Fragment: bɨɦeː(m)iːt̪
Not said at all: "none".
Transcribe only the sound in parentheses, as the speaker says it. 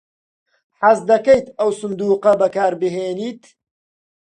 n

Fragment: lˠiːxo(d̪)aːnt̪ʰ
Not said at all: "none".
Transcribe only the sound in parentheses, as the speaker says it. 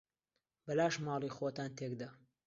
t̪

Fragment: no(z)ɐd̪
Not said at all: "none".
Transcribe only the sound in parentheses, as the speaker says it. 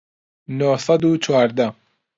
s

